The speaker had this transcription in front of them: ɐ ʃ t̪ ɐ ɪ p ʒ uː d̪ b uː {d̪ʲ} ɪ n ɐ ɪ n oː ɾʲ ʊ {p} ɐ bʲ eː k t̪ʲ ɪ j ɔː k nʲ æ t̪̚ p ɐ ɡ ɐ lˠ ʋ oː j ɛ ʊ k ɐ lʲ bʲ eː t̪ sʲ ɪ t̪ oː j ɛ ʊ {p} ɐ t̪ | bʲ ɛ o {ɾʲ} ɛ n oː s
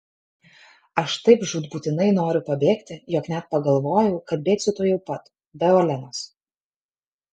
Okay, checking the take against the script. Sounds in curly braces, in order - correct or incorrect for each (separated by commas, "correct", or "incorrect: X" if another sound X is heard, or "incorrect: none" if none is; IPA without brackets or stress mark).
incorrect: t̪ʲ, correct, correct, incorrect: lʲ